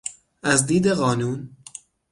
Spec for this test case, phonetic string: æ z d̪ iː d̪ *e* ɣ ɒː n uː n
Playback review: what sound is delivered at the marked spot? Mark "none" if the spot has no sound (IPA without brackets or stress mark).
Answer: e